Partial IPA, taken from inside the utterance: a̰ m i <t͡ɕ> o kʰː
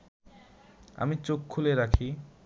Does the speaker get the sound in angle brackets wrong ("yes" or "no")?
no